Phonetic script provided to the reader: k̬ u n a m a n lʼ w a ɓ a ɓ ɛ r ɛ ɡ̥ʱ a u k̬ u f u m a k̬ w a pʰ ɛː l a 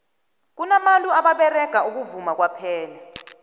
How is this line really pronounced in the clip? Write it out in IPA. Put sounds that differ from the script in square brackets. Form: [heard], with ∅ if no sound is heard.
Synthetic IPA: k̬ u n a m a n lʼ [u] a ɓ a ɓ ɛ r ɛ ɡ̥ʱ a u k̬ u [v] u m a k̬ w a pʰ ɛː l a